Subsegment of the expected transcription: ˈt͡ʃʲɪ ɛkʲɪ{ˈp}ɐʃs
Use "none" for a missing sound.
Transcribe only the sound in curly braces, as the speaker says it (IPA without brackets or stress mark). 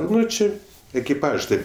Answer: p